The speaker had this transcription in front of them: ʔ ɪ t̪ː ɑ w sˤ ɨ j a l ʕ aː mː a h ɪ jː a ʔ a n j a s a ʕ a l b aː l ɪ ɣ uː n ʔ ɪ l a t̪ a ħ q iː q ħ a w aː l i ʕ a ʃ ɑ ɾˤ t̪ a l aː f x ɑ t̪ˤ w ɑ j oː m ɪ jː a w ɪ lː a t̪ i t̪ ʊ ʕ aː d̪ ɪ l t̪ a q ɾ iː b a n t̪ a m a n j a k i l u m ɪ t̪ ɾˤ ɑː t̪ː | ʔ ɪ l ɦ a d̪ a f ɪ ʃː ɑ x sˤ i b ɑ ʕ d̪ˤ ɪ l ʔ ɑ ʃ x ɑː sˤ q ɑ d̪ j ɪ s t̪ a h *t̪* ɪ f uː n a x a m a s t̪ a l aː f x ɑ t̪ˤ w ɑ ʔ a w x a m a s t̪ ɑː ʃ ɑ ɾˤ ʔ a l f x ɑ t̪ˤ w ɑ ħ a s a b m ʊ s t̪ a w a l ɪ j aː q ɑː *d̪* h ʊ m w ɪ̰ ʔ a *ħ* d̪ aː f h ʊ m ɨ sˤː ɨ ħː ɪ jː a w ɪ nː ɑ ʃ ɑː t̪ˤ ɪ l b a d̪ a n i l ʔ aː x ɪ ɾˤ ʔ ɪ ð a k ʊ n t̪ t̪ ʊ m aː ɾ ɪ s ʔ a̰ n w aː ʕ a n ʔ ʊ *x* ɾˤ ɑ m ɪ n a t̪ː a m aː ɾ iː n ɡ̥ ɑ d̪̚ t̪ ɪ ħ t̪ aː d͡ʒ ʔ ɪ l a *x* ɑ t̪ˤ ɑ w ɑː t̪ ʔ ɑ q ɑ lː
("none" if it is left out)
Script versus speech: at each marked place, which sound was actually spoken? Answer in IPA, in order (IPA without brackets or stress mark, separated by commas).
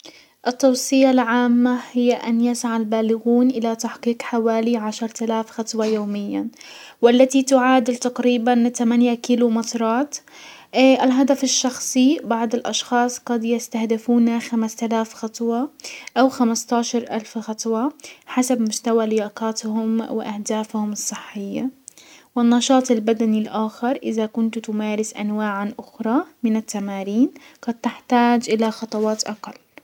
d̪, t̪, h, x, x